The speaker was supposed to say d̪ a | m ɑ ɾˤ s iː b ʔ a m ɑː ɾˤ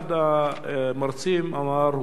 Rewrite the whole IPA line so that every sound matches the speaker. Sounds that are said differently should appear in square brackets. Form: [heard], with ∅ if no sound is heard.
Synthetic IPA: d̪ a | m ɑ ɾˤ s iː [m] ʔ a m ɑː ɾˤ